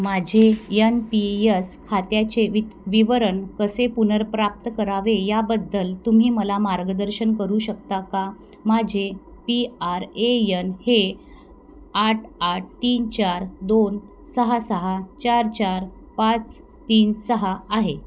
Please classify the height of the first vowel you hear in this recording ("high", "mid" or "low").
low